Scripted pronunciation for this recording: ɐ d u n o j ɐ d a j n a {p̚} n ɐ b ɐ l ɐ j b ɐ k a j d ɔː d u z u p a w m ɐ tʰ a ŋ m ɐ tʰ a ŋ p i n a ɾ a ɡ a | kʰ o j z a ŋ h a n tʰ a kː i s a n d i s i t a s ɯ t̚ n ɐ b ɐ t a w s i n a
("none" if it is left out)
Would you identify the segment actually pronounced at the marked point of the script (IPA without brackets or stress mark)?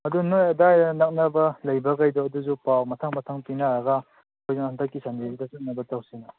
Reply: k̚